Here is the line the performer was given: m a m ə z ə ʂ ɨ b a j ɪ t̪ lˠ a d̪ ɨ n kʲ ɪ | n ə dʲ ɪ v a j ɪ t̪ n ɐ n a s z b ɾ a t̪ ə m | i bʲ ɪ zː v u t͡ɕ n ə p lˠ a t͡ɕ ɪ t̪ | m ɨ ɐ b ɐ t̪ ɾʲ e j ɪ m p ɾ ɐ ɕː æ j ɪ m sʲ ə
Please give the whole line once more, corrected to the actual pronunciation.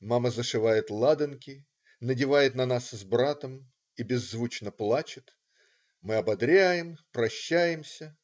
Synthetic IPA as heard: m a m ə z ə ʂ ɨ v a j ɪ t̪ lˠ a d̪ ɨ n kʲ ɪ | n ə dʲ ɪ v a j ɪ t̪ n ɐ n a s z b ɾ a t̪ ə m | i bʲ ɪ zː v u t͡ɕ n ə p lˠ a t͡ɕ ɪ t̪ | m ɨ ɐ b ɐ d̪ ɾʲ æ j ɪ m p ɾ ɐ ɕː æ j ɪ m sʲ ə